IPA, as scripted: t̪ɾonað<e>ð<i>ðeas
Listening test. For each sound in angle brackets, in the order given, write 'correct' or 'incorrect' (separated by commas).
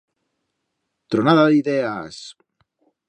incorrect, correct